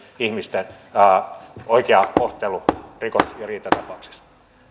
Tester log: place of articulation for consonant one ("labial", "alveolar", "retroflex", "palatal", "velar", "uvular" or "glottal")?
glottal